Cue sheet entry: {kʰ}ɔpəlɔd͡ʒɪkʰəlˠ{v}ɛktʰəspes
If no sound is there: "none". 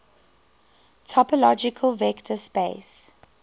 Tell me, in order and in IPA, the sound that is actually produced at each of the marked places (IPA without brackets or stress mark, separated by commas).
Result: tʰ, v